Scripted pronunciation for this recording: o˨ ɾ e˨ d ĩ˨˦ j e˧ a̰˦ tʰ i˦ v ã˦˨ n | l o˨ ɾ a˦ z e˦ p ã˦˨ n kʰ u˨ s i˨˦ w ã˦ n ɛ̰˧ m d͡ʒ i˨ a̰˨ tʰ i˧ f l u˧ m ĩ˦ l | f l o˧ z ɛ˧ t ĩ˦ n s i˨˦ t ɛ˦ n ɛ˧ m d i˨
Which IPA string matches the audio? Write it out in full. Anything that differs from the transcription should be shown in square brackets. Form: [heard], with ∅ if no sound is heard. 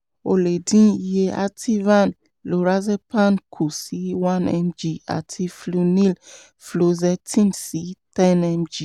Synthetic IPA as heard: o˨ [l] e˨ d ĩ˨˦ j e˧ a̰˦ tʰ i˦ v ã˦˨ n | l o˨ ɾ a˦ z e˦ p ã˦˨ n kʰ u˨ s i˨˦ w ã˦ n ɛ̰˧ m d͡ʒ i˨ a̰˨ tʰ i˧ f l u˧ [n] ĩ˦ l | f l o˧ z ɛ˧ t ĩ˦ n s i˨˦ t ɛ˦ n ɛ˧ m [d͡ʒ] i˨